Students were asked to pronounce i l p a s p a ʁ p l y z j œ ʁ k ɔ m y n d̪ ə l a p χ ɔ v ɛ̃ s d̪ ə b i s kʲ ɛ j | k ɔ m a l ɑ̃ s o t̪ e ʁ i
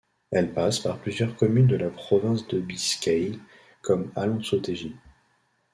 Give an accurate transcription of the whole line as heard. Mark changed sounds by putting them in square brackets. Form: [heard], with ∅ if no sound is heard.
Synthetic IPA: [ɛ] l p a s p a ʁ p l y z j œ ʁ k ɔ m y n d̪ ə l a p χ ɔ v ɛ̃ s d̪ ə b i s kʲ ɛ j | k ɔ m a l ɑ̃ s o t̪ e [ʒ] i